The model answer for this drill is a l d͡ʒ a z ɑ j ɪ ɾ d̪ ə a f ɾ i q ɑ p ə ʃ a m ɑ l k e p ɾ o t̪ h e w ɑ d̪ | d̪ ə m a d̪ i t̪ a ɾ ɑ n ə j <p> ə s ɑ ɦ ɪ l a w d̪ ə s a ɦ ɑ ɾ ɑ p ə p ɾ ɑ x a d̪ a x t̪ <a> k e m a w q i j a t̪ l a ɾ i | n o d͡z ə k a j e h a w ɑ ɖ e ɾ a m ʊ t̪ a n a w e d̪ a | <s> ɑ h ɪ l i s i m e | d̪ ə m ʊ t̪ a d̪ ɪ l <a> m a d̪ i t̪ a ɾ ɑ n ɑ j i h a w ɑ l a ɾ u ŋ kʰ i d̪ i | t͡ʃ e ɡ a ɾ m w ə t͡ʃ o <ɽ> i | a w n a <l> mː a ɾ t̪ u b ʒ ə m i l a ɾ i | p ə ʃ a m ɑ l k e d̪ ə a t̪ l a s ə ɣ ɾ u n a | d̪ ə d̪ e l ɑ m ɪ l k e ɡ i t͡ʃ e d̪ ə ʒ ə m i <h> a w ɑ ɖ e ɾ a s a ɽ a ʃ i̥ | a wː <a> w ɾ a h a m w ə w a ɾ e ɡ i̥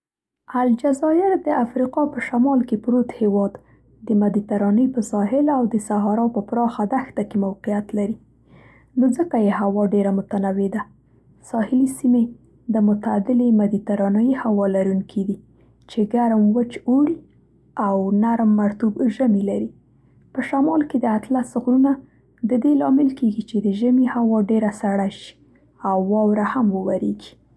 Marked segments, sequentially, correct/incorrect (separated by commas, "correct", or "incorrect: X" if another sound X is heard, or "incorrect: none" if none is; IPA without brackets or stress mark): correct, correct, correct, incorrect: e, correct, incorrect: ɾ, correct, incorrect: ɑ